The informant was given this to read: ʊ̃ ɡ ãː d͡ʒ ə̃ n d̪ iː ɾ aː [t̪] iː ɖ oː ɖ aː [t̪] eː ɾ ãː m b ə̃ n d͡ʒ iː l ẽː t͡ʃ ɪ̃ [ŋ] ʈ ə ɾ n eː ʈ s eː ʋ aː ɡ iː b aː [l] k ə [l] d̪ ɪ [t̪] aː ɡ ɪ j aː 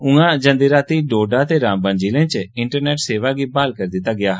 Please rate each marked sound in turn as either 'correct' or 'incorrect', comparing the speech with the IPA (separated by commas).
correct, correct, incorrect, correct, incorrect, correct